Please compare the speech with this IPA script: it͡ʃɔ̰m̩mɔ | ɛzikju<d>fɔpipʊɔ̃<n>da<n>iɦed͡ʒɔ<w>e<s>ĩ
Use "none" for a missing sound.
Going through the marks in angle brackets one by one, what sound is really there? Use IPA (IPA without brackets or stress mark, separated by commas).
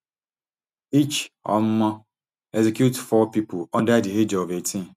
t, n, d, v, t